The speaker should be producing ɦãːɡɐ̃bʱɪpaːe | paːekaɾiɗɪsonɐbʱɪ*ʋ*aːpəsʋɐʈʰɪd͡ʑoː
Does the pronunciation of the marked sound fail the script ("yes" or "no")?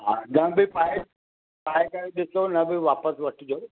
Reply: no